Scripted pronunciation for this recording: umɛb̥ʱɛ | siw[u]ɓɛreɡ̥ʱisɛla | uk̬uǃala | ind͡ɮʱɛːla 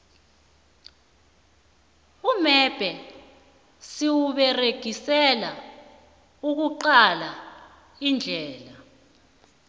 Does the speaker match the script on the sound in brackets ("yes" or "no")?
yes